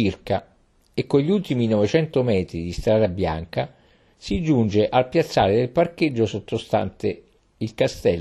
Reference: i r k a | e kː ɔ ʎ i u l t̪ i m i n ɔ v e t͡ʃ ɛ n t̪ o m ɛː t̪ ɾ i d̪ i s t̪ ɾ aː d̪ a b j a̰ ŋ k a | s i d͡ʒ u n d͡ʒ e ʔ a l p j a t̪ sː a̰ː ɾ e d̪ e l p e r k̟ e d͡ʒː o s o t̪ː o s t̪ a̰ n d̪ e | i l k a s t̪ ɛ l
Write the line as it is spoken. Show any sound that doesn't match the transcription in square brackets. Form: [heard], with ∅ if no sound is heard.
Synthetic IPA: i r k a | e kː [o] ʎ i u l t̪ i m i n ɔ v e t͡ʃ ɛ n t̪ o m ɛː t̪ ɾ i d̪ i s t̪ ɾ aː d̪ a b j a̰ ŋ k a | s i d͡ʒ u n d͡ʒ e ʔ a l p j a t̪ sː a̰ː ɾ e d̪ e l p [a] r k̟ e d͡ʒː o s o t̪ː o s t̪ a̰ n [t̪] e | i l k a s t̪ ɛ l